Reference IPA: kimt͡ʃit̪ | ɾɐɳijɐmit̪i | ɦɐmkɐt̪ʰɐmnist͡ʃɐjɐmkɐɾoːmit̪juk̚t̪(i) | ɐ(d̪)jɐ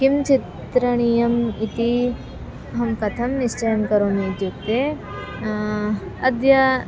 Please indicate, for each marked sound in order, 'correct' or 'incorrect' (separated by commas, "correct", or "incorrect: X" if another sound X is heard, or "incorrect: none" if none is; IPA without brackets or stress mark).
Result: incorrect: e, correct